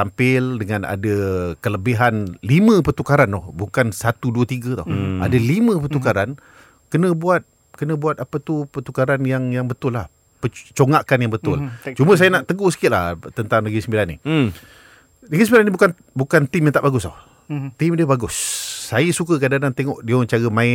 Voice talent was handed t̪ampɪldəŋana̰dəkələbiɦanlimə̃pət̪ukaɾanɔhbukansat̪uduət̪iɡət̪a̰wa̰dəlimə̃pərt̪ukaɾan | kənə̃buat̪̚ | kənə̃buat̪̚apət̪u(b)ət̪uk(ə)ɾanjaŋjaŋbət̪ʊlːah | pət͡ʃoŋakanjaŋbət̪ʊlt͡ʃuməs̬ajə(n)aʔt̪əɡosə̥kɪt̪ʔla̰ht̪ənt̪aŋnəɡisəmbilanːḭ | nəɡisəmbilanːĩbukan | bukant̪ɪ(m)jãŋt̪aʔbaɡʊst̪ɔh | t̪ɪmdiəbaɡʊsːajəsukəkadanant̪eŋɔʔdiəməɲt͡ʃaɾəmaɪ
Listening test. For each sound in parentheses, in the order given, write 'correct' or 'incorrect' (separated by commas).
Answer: incorrect, incorrect, correct, correct